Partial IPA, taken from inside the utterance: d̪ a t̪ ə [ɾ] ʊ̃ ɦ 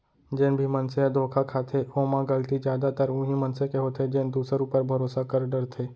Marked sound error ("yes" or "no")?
no